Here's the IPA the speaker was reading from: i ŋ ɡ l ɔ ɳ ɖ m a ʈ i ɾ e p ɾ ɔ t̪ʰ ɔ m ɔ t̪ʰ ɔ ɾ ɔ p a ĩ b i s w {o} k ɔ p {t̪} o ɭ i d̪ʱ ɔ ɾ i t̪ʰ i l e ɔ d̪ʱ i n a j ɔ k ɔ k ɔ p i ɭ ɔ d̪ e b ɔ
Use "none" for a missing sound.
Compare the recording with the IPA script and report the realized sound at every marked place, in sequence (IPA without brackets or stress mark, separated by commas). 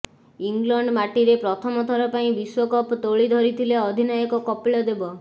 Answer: ɔ, t̪